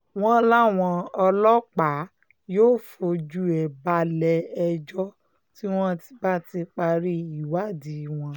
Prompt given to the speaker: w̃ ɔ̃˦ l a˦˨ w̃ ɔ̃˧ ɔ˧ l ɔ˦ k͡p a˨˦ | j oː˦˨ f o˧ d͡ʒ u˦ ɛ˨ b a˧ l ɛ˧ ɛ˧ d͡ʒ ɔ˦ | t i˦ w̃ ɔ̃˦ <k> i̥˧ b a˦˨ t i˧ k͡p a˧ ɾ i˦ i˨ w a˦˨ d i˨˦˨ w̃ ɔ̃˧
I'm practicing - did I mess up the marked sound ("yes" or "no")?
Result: yes